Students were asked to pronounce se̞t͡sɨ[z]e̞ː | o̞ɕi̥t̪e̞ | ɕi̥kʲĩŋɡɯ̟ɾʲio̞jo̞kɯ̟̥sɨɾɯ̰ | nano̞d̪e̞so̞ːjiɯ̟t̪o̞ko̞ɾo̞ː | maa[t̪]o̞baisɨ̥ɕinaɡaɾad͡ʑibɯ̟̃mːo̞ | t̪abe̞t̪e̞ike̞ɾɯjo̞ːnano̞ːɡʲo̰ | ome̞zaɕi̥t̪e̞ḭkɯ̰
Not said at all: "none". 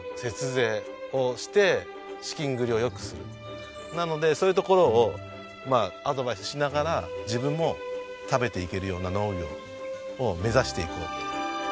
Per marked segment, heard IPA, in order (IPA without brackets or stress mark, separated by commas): z, d̪